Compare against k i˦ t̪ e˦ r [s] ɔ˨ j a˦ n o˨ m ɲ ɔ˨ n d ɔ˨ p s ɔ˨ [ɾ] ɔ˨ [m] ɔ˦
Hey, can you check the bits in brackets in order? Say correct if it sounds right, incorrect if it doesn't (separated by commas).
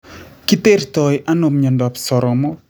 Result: incorrect, correct, correct